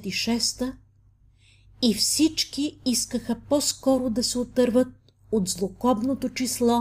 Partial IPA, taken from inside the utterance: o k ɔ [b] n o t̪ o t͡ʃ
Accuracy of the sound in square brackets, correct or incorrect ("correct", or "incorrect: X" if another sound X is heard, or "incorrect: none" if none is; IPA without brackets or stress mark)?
correct